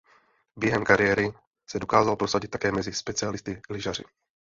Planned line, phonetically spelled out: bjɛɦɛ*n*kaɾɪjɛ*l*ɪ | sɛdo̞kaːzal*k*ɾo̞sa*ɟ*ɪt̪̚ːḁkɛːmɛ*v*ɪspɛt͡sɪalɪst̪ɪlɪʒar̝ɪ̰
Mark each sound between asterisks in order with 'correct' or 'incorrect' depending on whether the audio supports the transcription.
incorrect: m, incorrect: ɾ, incorrect: p, correct, incorrect: z

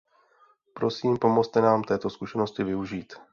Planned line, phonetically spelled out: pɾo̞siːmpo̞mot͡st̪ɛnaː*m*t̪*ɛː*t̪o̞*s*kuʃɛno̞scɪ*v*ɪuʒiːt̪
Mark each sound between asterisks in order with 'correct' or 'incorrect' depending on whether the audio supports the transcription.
correct, correct, correct, correct

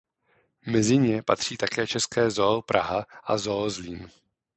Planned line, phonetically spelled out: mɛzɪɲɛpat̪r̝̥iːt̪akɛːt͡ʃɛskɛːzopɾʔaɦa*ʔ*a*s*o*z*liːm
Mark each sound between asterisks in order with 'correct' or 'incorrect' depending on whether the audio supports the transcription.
correct, incorrect: z, correct

